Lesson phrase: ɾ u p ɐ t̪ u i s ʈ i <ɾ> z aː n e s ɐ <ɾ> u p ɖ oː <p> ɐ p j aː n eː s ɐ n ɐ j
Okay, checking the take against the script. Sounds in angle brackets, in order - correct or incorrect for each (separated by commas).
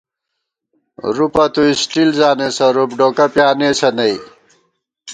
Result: incorrect, correct, incorrect